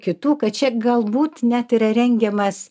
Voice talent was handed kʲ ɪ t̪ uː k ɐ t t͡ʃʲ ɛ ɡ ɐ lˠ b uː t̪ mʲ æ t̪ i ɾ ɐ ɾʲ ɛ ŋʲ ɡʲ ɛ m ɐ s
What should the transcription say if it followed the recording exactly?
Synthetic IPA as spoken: kʲ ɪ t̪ uː k ɐ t t͡ʃʲ ɛ ɡ ɐ lˠ b uː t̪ nʲ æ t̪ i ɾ ɐ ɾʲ ɛ ŋʲ ɡʲ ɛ m ɐ s